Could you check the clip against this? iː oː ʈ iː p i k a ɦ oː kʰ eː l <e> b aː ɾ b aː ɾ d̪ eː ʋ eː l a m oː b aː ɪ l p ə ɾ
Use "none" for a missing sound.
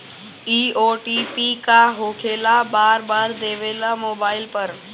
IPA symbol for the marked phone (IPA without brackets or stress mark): a